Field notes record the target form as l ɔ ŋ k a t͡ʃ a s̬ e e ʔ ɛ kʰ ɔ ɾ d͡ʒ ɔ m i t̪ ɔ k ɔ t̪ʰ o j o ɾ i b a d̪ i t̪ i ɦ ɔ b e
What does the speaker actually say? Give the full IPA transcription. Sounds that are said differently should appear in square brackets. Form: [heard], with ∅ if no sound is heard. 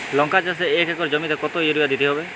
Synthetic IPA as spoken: l ɔ ŋ k a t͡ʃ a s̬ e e [k] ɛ [k] ɔ ɾ d͡ʒ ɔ m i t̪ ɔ k ɔ [t̪] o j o ɾ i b a d̪ i t̪ i ɦ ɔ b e